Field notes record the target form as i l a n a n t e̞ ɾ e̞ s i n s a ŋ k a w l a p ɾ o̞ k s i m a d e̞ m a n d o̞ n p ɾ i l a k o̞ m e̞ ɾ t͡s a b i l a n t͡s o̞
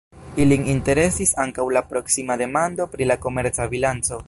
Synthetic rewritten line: i l i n i n t e̞ ɾ e̞ s i s a ŋ k a w l a p ɾ o̞ k s i m a d e̞ m a n d o̞ p ɾ i l a k o̞ m e̞ ɾ t͡s a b i l a n t͡s o̞

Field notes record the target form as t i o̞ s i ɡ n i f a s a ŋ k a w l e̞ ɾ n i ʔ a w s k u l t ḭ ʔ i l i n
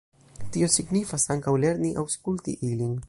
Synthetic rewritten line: t i o̞ s i ɡ n i f a s a ŋ k a w l e̞ ɾ n i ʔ a w s k u l t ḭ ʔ i l i n

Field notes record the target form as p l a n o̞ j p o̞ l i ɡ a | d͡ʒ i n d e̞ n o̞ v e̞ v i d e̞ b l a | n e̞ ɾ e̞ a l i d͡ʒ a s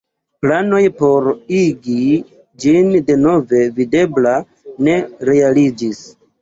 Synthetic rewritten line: p l a n o̞ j p o̞ ɾ i ɡ i | d͡ʒ i n d e̞ n o̞ v e̞ v i d e̞ b l a | n e̞ ɾ e̞ a l i d͡ʒ i s

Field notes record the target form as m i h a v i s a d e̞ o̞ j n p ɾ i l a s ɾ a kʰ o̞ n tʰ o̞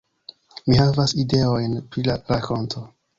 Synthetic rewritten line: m i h a v a s i d e̞ o̞ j n p ɾ i l a ɾ a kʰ o̞ n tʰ o̞

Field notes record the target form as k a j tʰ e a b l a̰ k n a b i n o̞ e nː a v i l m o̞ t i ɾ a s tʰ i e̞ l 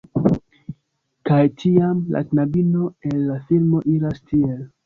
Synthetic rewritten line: k a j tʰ i a m l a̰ k n a b i n o̞ e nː a f i l m o̞ ʔ i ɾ a s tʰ i e̞ l

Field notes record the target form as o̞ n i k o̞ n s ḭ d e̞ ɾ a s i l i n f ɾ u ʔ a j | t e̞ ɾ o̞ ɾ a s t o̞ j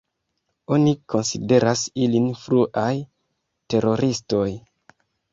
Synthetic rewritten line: o̞ n i k o̞ n s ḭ d e̞ ɾ a s i l i n f ɾ u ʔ a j | t e̞ ɾ o̞ ɾ i s t o̞ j

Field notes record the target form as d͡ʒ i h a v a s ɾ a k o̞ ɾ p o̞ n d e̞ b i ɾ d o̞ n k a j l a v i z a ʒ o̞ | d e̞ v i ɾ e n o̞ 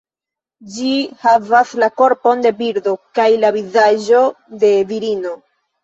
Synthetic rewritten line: d͡ʒ i h a v a s l a k o̞ ɾ p o̞ n d e̞ b i ɾ d o̞ k a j l a v i z a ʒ o̞ | d e̞ v i ɾ i n o̞

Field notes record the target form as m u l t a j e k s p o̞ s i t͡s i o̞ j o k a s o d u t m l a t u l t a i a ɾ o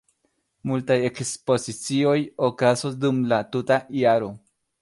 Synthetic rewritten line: m u l t a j e k s p o̞ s i t͡s i o̞ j o k a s o d u m l a t u t a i a ɾ o

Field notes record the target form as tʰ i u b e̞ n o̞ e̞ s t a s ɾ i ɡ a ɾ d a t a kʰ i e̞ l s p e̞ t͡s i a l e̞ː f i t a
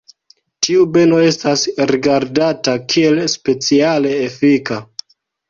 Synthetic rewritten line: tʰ i u b e̞ n o̞ e̞ s t a s ɾ i ɡ a ɾ d a t a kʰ i e̞ l s p e̞ t͡s i a l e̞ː f i k a

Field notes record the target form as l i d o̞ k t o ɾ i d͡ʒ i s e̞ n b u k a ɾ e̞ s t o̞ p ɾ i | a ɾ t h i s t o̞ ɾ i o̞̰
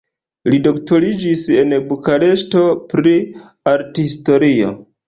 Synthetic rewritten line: l i d o̞ k t o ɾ i d͡ʒ i s e̞ n b u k a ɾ e̞ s t o̞ p ɾ i | a ɾ t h i s t o̞ ɾ i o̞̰

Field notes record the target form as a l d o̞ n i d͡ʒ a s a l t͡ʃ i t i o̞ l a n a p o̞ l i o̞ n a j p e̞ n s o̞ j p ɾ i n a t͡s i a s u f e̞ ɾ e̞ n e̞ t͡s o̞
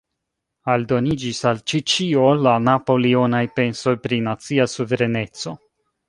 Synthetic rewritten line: a l d o̞ n i d͡ʒ i s a l t͡ʃ i t͡ʃ i o̞ l a n a p o̞ l i o̞ n a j p e̞ n s o̞ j p ɾ i n a t͡s i a s u v e̞ ɾ e̞ n e̞ t͡s o̞

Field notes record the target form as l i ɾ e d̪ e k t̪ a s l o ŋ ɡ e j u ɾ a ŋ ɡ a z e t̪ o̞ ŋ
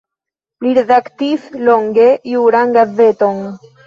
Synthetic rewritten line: l i ɾ e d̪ a k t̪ i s l o ŋ ɡ e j u ɾ a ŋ ɡ a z e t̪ o̞ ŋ

